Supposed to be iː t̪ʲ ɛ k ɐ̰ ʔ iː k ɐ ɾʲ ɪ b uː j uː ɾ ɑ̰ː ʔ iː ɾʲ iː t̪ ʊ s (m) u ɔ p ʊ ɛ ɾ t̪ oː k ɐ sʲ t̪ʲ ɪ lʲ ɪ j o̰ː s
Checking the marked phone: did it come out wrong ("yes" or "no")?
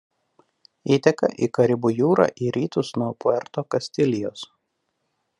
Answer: yes